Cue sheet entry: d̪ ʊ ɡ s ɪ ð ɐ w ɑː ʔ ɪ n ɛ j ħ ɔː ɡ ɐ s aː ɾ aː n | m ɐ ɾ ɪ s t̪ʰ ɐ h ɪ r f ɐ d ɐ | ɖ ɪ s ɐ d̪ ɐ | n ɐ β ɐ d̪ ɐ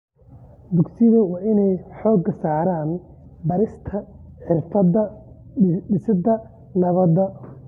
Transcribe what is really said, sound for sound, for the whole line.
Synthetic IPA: d̪ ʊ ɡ s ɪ ð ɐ w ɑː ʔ ɪ n ɛ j ħ ɔː ɡ ɐ s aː ɾ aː n | b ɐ ɾ ɪ s t̪ʰ ɐ ħ ɪ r f ɐ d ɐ | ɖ ɪ s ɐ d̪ ɐ | n ɐ β ɐ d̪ ɐ